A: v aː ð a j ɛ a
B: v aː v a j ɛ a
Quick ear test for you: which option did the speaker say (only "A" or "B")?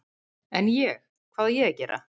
A